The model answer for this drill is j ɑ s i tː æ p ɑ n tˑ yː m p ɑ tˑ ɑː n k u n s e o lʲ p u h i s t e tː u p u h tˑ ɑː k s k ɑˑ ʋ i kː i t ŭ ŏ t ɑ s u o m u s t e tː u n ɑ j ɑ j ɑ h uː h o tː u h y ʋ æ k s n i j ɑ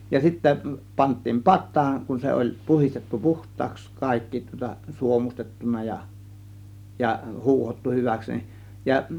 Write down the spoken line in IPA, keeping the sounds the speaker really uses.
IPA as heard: j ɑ s i tː æ p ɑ n tˑ iː m p ɑ tˑ ɑː n k u n s e o lʲ p u h i s t e tː u p u h tˑ ɑː k s k ɑˑ i kː i t ŭ ŏ t ɑ s u o m u s t e tː u n ɑ j ɑ j ɑ h uː h o tː u h y ʋ æ k s n i j ɑ